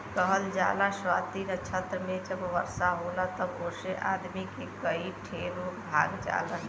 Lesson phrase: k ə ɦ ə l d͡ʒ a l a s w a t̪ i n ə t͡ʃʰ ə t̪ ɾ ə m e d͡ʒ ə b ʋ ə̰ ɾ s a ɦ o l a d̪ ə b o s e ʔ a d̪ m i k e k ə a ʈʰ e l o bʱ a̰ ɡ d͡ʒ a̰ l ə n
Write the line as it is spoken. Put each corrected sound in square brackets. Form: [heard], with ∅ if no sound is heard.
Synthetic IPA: k ə ɦ ə l d͡ʒ a l a s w a t̪ i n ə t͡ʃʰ ə t̪ ɾ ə m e d͡ʒ ə b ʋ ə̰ ɾ s a ɦ o l a [t̪] ə b o s e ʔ a d̪ m i k e k ə [i] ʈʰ e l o bʱ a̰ ɡ d͡ʒ a̰ l ə n